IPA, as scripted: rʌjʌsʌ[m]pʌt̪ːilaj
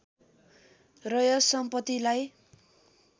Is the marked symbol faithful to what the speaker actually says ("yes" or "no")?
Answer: yes